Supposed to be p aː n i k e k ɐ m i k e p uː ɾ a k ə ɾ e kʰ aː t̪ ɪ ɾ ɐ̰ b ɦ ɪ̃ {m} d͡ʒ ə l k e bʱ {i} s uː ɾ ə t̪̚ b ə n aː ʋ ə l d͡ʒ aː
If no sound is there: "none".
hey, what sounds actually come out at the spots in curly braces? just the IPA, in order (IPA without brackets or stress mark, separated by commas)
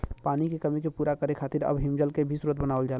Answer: m, i